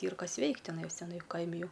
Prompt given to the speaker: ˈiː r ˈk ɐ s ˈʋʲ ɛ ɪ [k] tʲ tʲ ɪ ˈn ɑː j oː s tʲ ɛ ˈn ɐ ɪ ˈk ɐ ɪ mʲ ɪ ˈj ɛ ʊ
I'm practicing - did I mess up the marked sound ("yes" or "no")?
no